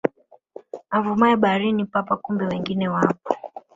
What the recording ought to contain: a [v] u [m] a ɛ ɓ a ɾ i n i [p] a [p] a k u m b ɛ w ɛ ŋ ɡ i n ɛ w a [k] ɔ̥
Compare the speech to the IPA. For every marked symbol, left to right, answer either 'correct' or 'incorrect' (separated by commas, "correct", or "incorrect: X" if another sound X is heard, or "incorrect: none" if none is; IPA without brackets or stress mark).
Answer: correct, correct, correct, correct, incorrect: p